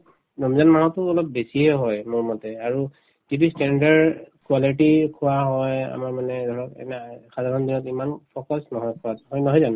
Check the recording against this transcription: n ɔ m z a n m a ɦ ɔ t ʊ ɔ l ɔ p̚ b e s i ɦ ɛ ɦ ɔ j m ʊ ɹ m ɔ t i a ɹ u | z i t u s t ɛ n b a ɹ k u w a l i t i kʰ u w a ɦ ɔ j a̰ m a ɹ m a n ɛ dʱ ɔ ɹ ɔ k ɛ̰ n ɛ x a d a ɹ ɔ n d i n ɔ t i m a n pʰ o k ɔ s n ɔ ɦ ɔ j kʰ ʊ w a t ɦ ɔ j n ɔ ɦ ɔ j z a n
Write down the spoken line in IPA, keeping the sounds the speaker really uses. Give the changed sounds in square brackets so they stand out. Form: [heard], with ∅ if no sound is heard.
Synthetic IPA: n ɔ m z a n m a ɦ ɔ t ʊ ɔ l ɔ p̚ b e s i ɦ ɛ ɦ ɔ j m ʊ ɹ m ɔ t [ɛ] a ɹ u | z i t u s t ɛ n [d] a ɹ k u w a l i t i kʰ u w a ɦ ɔ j a̰ m a ɹ m a n ɛ dʱ ɔ ɹ ɔ k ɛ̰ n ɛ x a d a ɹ ɔ n d i n ɔ t i m a n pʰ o k ɔ s n ɔ ɦ ɔ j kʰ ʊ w a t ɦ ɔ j n ɔ ɦ ɔ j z a n